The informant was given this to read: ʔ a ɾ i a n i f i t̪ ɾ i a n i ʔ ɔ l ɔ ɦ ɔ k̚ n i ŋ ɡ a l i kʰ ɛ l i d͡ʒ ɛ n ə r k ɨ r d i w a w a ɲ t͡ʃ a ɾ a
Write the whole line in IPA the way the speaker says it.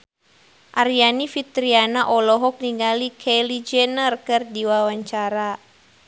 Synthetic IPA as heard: ʔ a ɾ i a n i f i t̪ ɾ i a n a ʔ ɔ l ɔ ɦ ɔ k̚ n i ŋ ɡ a l i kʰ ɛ l i d͡ʒ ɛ n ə r k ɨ r d i w a w a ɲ t͡ʃ a ɾ a